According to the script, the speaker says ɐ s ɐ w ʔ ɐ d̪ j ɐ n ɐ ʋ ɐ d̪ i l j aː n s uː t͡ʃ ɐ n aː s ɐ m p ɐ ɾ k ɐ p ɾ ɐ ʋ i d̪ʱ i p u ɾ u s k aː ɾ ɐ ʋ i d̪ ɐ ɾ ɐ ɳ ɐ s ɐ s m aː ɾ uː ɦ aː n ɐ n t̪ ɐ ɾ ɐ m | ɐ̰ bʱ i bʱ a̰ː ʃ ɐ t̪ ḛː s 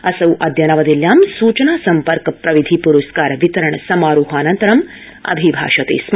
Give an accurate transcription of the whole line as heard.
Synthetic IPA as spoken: ɐ s ɐ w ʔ ɐ d̪ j ɐ n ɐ ʋ ɐ d̪ i l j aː m s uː t͡ʃ ɐ n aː s ɐ m p ɐ ɾ k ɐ p ɾ ɐ ʋ i d̪ʱ i p u ɾ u s k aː ɾ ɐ ʋ i t̪ ɐ ɾ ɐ ɳ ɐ s ɐ m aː ɾ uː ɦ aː n ɐ n t̪ ɐ ɾ ɐ m | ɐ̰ bʱ i bʱ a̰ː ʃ ɐ t̪ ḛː s